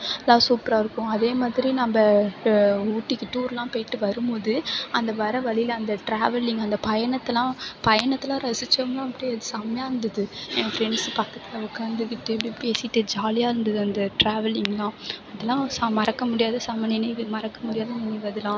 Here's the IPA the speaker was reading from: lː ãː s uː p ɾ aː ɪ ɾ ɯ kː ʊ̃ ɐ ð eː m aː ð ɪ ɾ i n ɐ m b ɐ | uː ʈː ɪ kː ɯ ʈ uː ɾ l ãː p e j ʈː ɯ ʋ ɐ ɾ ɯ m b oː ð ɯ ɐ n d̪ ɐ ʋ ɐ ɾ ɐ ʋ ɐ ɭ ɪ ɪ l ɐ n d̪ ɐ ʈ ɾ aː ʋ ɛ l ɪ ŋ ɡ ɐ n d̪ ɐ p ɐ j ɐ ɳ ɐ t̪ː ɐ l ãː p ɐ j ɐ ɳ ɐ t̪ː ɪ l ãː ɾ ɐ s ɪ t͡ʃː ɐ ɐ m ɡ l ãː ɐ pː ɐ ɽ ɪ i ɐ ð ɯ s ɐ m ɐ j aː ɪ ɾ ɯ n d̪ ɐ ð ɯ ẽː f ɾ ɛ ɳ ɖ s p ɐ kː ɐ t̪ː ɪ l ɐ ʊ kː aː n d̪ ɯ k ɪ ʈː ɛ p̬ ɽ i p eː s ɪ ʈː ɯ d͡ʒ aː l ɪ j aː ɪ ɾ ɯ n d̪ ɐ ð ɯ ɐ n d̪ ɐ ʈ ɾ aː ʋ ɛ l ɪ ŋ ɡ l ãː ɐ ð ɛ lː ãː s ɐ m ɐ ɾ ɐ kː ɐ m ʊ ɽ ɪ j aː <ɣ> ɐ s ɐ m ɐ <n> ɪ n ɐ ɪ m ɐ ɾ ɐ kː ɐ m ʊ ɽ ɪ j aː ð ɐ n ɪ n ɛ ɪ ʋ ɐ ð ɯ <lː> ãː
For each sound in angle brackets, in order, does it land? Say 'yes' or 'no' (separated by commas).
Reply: no, yes, no